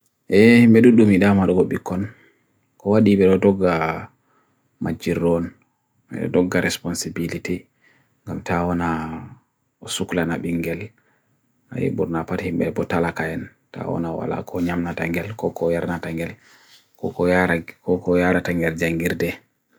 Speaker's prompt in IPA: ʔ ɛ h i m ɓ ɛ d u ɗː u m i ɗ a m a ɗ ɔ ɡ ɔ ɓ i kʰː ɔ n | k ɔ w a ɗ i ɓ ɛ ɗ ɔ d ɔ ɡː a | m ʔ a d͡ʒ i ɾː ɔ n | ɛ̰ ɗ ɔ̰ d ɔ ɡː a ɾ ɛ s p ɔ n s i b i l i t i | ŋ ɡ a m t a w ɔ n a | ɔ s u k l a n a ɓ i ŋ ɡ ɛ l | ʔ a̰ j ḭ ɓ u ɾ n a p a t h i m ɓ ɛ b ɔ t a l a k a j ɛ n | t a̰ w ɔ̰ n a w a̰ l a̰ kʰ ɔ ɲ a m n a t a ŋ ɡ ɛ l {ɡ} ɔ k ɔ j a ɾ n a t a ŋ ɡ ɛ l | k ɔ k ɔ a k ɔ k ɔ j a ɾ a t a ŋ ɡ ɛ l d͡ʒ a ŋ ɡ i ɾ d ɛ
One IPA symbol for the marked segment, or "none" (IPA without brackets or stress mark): k